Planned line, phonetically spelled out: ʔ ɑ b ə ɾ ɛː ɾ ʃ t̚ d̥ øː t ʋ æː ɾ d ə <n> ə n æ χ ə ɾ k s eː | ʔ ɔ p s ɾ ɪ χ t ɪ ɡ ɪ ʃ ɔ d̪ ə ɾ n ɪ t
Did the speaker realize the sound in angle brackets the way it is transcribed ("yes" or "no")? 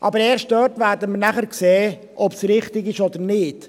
no